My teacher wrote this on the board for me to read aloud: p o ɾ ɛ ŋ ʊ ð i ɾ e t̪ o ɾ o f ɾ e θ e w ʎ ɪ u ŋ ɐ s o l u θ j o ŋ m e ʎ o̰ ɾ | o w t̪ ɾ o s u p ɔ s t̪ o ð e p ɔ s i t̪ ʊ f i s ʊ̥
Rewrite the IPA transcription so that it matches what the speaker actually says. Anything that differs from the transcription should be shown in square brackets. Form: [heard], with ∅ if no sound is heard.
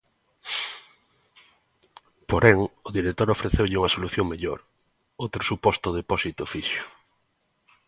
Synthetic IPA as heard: p o ɾ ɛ ŋ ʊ ð i ɾ e t̪ o ɾ o f ɾ e θ e w ʎ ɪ u ŋ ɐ s o l u θ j o ŋ m e ʎ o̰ ɾ | o w t̪ ɾ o s u p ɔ s t̪ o ð e p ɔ s i t̪ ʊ f i [ʃ] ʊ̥